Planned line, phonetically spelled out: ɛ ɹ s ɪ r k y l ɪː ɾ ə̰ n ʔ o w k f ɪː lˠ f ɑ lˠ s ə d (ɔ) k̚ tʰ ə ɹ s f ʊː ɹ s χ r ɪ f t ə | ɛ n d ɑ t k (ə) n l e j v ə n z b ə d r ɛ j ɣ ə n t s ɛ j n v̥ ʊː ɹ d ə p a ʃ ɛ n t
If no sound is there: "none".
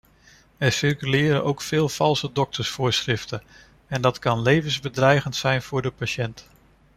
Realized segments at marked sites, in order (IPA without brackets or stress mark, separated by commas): ɔ, ɑ